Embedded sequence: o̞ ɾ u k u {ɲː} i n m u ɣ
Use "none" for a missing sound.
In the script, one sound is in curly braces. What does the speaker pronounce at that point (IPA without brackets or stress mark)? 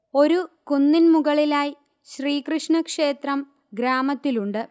nː